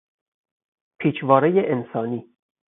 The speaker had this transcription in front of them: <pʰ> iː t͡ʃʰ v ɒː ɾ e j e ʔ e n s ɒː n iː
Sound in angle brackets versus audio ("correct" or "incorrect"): correct